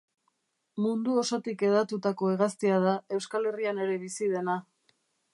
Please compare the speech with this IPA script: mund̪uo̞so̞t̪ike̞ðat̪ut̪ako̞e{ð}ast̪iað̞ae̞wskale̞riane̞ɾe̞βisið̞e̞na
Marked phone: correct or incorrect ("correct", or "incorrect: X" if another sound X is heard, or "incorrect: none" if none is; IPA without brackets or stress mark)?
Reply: incorrect: ɣ